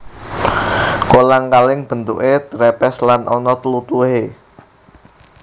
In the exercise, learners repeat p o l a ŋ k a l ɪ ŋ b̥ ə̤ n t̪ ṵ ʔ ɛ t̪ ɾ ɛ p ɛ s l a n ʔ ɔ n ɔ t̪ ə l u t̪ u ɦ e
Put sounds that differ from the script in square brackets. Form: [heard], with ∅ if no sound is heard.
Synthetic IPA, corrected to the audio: [k] o l a ŋ k a l ɪ ŋ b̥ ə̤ n t̪ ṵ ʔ [e] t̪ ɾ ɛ p ɛ s l a n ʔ ɔ n ɔ t̪ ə l u t̪ u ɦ e